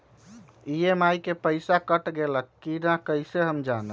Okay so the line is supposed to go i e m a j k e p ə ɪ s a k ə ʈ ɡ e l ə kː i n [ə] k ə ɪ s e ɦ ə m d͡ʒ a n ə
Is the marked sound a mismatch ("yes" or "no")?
yes